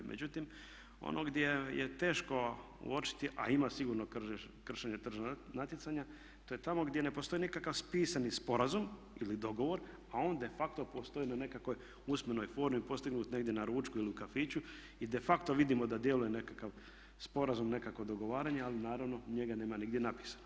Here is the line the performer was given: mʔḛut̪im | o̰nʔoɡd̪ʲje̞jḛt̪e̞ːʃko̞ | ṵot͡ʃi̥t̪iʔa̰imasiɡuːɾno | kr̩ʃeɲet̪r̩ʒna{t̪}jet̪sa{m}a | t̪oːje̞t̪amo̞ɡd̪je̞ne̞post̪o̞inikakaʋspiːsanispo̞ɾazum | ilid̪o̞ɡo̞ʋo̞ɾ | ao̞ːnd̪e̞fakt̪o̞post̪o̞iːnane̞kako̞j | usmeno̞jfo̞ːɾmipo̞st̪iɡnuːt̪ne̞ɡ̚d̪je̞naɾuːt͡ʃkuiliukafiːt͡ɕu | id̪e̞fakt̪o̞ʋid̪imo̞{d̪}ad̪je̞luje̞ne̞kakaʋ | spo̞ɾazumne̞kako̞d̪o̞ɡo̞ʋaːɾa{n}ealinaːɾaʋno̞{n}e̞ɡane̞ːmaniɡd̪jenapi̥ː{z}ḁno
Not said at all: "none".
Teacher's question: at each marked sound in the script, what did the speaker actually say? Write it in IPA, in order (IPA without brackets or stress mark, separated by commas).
t̪, ɲ, d̪, ɲ, ɲ, s